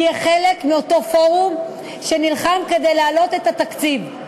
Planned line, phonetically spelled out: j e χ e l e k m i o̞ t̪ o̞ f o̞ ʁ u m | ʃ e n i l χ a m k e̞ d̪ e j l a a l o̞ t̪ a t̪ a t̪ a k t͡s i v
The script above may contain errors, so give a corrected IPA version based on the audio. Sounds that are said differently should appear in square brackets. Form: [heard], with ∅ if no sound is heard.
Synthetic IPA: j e χ e l e k m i o̞ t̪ o̞ f o̞ ʁ u m | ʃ e n i l χ a m k e̞ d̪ e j l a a l o̞ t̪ [e] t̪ a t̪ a k t͡s i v

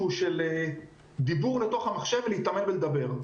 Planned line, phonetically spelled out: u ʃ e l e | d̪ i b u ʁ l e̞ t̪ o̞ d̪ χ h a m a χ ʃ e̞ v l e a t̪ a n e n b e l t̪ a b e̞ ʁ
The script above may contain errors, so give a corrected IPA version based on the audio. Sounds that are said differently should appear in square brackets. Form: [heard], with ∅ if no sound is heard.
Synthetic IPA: u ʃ e l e | d̪ i b u ʁ l e̞ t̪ o̞ [∅] χ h a m a χ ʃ e̞ v l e [i] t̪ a [m] e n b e l [d̪] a b e̞ ʁ

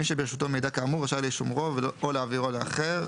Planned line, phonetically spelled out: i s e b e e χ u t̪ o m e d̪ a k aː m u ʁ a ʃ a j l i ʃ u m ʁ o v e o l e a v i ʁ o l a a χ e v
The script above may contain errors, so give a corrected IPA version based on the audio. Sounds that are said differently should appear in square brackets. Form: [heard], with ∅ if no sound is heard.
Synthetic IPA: i [ʃ] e b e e [ʃ] u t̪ o m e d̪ a k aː m u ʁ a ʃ a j l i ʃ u m ʁ o v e o l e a v i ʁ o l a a χ e [ʁ]

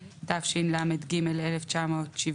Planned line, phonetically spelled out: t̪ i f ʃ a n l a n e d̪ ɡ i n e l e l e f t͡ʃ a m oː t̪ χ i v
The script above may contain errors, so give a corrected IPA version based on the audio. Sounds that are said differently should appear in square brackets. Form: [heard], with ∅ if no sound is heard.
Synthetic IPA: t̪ [a] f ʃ [i] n l a [m] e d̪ ɡ i [m] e l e l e f t͡ʃ a m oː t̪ [ʃ] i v

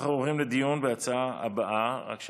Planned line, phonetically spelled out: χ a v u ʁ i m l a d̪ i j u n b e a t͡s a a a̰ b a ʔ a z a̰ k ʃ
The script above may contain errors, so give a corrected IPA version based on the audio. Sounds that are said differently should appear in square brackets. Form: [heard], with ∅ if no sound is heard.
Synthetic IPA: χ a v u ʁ i m l [e] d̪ i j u n b e a t͡s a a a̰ b a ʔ a [ʁ] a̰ k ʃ

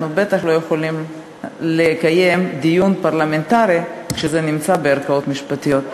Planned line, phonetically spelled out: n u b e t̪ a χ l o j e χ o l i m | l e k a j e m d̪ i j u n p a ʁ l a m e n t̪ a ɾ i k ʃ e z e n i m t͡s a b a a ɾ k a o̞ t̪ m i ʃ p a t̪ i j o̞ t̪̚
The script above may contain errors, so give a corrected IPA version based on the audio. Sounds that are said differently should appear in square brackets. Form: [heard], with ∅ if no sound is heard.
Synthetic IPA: n u b e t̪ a χ l o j e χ o l i m | l e k a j e m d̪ i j u n p a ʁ l a m e n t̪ a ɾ i k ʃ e z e n i m t͡s a b [e] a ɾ k a o̞ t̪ m i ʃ p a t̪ i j o̞ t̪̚

